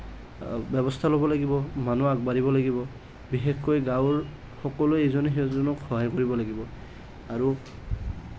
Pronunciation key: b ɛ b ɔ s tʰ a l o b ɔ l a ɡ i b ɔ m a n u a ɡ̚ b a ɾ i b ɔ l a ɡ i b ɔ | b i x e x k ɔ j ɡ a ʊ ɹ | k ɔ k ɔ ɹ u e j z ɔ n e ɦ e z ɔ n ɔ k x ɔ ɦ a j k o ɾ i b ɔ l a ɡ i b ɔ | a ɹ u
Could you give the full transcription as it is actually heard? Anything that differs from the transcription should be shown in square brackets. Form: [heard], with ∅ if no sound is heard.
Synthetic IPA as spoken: b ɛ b ɔ s tʰ a l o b ɔ l a ɡ i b ɔ m a n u a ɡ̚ b a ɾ i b ɔ l a ɡ i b ɔ | b i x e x k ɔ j ɡ a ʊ ɹ | [x] ɔ k ɔ [l] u e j z ɔ n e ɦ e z ɔ n ɔ k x ɔ ɦ a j k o [ɹ] i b ɔ l a ɡ i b ɔ | a ɹ u